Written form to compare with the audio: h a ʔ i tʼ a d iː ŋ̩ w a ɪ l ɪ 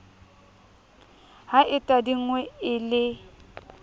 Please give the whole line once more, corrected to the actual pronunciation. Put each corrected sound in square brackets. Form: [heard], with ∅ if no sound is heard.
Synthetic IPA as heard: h a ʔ [ɪ] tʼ a d [i] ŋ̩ w [ɛ] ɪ l ɪ